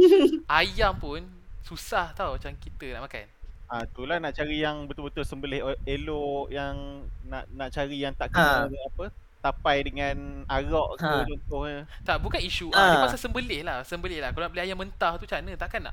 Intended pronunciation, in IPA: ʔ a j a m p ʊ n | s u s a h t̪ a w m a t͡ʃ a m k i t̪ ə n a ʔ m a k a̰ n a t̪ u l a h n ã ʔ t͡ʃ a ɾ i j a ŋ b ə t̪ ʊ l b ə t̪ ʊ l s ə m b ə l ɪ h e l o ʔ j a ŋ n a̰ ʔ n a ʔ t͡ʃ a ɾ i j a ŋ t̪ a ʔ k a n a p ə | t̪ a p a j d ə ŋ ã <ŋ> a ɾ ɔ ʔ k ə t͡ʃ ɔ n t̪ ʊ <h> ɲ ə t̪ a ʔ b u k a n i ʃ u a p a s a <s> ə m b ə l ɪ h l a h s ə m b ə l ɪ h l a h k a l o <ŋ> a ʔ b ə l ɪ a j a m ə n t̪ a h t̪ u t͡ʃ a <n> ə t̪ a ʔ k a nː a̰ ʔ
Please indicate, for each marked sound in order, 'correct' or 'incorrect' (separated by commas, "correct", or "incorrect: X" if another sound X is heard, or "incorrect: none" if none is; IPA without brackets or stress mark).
incorrect: n, correct, correct, incorrect: n, correct